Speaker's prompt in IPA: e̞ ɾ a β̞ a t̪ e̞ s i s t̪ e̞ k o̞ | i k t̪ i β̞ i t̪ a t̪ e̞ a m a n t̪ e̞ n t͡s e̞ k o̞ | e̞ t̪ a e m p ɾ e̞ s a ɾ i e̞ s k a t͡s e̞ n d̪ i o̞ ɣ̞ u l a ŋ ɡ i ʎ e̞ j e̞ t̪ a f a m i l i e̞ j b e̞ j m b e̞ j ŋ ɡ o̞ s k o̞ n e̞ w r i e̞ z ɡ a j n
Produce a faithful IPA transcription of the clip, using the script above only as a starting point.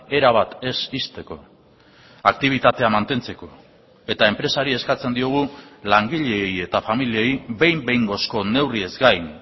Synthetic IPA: e̞ ɾ a β̞ a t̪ e̞ s i s t̪ e̞ k o̞ | a k t̪ i β̞ i t̪ a t̪ e̞ a m a n t̪ e̞ n t͡s e̞ k o̞ | e̞ t̪ a e m p ɾ e̞ s a ɾ i e̞ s k a t͡s e̞ n d̪ i o̞ ɣ̞ u l a ŋ ɡ i ʎ e̞ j e̞ t̪ a f a m i l i e̞ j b e̞ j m b e̞ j ŋ ɡ o̞ s k o̞ n e̞ w r i e̞ z ɡ a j n